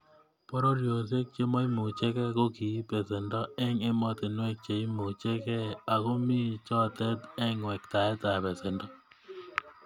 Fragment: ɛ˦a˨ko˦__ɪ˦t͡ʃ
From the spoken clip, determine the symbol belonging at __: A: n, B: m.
B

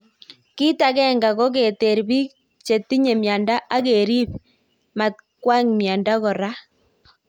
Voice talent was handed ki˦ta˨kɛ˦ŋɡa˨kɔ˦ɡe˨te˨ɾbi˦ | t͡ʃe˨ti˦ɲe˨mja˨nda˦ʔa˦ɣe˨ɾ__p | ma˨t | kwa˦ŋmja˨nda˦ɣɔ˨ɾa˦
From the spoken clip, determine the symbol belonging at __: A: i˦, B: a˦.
A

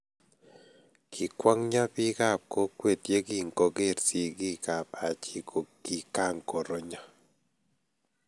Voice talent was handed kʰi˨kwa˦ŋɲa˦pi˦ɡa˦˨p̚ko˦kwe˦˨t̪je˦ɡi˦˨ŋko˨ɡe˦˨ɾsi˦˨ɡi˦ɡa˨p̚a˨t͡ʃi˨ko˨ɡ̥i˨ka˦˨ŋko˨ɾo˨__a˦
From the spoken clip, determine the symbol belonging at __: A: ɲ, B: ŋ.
A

